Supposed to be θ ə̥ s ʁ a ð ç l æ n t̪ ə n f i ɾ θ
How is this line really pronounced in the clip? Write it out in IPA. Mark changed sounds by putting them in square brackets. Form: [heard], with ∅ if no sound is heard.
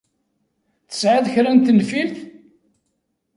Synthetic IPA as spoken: θ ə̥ s [ʕ] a ð ç [ɾ] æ n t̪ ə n f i [l] θ